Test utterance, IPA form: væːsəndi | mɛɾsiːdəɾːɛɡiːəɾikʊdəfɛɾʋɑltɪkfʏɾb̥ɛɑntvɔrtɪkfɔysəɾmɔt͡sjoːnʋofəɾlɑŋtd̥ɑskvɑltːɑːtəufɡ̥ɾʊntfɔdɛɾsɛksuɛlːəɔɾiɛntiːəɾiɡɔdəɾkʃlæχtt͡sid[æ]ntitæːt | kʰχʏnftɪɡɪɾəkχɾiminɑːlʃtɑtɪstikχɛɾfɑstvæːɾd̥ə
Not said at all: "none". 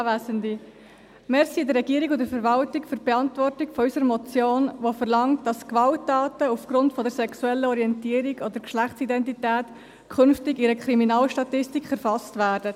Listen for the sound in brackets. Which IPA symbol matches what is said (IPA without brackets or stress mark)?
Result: ɛ